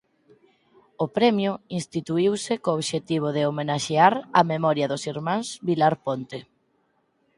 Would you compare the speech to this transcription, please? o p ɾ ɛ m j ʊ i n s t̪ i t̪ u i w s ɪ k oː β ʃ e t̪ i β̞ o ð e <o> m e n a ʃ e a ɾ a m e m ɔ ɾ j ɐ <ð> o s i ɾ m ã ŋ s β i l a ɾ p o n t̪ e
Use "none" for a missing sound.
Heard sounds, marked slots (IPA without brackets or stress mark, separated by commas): o, ð